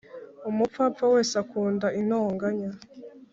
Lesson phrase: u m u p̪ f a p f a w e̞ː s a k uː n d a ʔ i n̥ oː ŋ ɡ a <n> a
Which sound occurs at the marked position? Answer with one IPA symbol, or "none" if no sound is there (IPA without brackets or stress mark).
ɲ